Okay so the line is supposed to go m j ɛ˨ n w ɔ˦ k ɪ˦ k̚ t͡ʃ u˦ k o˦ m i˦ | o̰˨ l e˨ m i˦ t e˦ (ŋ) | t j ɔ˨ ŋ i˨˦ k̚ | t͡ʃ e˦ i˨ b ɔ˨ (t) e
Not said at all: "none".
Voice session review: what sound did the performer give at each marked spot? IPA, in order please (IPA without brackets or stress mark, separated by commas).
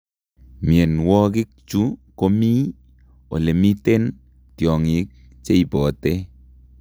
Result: n, t